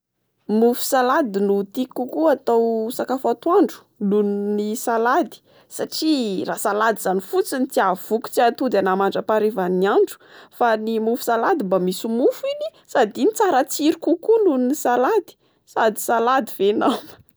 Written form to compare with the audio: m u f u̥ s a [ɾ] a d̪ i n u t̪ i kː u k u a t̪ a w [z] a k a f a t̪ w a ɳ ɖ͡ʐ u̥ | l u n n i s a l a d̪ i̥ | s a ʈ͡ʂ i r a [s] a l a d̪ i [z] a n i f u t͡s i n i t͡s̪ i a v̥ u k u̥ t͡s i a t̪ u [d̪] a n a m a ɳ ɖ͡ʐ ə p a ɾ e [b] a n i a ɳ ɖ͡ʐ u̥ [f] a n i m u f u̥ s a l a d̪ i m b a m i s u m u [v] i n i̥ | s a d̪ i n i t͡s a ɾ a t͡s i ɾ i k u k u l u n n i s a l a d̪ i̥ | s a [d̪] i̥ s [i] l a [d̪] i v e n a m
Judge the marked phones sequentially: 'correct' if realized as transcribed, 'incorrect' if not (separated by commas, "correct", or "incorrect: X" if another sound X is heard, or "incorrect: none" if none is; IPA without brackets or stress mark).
incorrect: l, incorrect: s, correct, correct, correct, incorrect: v, correct, incorrect: f, correct, incorrect: a, correct